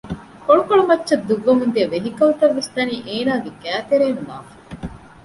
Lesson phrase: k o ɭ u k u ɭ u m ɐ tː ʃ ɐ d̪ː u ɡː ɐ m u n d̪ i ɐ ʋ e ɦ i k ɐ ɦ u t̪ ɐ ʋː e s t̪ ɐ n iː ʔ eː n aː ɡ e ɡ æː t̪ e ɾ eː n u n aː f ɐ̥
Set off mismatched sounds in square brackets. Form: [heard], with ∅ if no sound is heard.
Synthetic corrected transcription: k o ɭ u k [o] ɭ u m ɐ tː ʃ ɐ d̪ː u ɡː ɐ m u n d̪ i ɐ ʋ e ɦ i k ɐ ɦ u t̪ ɐ ʋː e s t̪ ɐ n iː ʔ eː n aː ɡ e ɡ æː t̪ e ɾ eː n u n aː f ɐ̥